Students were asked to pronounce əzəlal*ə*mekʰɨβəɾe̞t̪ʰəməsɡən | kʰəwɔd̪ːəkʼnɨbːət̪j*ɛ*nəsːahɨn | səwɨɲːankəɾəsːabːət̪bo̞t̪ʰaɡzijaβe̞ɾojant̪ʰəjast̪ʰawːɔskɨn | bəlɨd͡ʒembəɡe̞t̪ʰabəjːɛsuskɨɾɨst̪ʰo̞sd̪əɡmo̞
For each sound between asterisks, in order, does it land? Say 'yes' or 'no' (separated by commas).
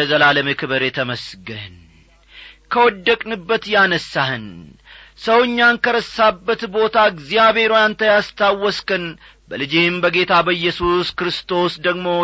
yes, no